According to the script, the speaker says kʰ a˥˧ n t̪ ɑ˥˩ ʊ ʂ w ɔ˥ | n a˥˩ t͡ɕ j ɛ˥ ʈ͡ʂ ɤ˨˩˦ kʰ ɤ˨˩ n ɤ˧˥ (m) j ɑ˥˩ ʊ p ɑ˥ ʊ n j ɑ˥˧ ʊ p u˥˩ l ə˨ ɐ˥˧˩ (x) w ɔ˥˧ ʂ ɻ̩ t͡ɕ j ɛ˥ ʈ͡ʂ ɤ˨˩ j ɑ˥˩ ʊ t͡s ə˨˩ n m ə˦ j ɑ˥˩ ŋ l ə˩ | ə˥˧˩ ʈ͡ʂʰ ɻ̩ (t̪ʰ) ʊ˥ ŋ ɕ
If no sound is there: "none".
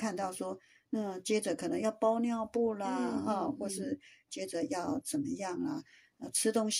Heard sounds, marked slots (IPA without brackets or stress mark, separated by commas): ŋ, x, t̪